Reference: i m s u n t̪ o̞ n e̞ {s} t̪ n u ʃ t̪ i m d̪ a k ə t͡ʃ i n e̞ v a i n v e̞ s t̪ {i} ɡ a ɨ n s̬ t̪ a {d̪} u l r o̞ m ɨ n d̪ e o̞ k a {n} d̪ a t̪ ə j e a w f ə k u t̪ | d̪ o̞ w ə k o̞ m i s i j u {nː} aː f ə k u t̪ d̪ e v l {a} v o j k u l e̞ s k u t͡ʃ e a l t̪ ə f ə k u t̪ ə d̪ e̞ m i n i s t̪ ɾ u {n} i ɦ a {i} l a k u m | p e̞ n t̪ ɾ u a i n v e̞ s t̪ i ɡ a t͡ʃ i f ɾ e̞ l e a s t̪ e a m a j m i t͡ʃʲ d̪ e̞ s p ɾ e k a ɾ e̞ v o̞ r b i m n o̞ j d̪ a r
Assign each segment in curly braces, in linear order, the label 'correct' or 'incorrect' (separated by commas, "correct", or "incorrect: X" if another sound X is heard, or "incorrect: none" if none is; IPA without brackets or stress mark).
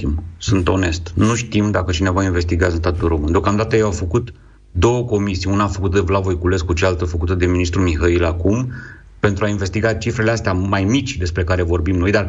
correct, correct, incorrect: t̪, incorrect: m, incorrect: n, correct, incorrect: m, correct